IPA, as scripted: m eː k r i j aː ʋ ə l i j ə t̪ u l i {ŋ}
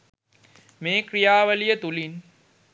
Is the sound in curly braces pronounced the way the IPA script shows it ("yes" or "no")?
no